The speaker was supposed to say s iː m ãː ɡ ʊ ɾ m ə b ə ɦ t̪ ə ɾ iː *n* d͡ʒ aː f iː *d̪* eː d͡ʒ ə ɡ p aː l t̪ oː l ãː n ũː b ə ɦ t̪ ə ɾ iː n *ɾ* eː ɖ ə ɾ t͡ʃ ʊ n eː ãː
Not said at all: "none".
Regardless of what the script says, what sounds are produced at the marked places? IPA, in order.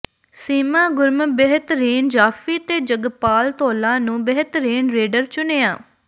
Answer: n, t̪, ɾ

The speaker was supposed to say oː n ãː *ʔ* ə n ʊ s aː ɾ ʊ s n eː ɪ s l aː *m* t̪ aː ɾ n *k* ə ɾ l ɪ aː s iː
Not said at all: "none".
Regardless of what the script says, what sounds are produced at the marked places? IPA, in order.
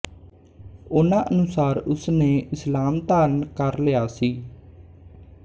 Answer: ʔ, m, k

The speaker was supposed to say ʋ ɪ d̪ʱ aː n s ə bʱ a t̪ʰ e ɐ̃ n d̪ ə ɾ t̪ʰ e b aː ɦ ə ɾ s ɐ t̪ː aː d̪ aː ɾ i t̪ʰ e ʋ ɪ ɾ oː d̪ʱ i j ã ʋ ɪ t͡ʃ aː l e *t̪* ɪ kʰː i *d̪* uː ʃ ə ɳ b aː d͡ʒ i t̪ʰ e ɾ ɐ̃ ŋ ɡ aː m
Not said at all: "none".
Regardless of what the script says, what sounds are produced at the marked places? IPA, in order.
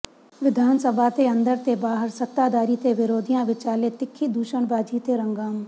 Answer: t̪, d̪

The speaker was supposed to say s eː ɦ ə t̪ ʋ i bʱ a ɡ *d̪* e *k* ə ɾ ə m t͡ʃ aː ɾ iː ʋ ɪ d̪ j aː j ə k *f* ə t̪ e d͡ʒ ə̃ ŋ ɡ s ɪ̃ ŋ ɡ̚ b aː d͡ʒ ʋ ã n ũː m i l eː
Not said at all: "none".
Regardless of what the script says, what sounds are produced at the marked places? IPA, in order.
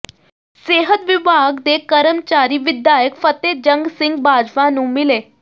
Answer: d̪, k, f

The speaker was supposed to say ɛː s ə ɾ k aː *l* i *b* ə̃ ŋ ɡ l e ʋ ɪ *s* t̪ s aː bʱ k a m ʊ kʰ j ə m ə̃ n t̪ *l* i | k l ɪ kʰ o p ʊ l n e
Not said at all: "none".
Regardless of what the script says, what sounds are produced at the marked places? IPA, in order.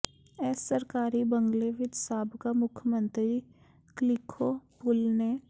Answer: ɾ, b, none, ɾ

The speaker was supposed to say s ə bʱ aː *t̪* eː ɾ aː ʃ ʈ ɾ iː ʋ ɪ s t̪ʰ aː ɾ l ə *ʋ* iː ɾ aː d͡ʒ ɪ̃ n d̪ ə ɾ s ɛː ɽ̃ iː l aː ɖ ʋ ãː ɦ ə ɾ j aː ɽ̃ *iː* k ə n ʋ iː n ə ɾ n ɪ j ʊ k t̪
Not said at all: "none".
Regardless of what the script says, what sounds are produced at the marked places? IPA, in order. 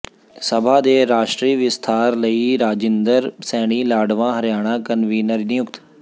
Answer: d̪, none, aː

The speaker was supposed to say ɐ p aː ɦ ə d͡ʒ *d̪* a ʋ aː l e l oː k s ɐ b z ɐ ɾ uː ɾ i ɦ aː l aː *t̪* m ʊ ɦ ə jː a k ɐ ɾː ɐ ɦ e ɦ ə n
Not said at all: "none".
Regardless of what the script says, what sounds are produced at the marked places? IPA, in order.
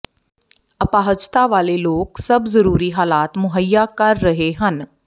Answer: t̪, t̪

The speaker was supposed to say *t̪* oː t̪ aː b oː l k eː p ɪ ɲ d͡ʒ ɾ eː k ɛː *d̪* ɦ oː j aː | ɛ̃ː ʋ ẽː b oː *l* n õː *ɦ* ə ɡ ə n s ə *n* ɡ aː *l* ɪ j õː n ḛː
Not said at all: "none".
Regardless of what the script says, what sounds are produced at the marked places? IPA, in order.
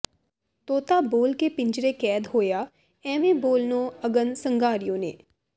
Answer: t̪, d̪, l, none, ŋ, ɾ

